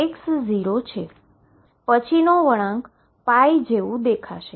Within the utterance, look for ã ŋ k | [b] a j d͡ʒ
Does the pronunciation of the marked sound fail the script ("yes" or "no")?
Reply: yes